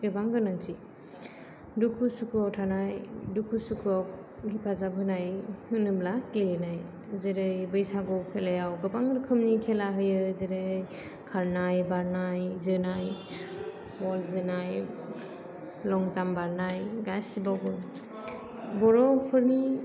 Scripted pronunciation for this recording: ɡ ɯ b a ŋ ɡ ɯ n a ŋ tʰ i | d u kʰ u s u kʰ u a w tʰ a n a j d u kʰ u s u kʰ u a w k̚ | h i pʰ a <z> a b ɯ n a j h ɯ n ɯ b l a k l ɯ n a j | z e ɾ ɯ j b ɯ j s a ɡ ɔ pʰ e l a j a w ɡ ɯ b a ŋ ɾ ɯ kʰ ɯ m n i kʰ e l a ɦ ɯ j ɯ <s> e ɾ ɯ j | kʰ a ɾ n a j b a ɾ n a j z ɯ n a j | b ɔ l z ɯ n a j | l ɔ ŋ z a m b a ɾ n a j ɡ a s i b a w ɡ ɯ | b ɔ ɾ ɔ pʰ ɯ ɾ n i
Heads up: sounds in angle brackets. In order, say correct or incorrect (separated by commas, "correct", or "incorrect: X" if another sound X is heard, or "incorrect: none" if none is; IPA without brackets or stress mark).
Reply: correct, incorrect: z